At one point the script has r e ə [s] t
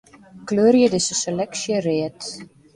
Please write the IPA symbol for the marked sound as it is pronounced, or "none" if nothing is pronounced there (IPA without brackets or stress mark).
none